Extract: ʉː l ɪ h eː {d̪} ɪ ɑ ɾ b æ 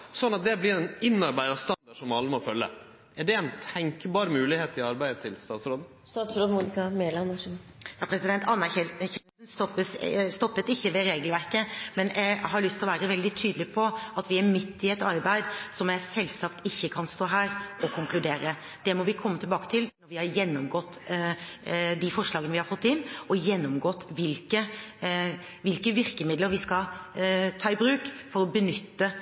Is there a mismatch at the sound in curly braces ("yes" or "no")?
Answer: yes